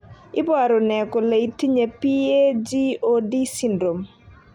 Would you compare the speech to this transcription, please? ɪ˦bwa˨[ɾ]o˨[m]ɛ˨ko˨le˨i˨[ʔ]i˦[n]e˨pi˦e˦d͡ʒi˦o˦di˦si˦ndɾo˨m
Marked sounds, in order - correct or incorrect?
correct, incorrect: n, incorrect: t, incorrect: ɲ

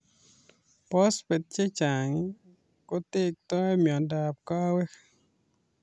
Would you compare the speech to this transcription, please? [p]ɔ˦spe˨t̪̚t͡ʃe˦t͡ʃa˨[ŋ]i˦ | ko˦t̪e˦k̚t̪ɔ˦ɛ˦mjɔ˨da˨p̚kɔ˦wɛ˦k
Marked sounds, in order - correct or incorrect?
correct, correct

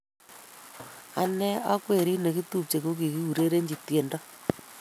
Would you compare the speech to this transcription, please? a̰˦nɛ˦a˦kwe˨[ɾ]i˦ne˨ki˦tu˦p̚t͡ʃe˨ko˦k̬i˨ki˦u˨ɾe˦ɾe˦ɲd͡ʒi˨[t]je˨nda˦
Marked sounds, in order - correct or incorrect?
correct, correct

